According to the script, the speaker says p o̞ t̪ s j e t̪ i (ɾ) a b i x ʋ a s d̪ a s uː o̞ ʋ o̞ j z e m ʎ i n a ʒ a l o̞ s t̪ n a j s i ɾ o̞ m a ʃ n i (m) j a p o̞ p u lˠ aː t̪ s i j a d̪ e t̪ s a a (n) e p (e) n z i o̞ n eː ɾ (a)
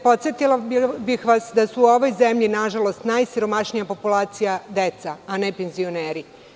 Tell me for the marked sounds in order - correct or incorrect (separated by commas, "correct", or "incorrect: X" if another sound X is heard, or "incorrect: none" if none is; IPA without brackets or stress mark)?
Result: incorrect: l, incorrect: none, correct, correct, incorrect: i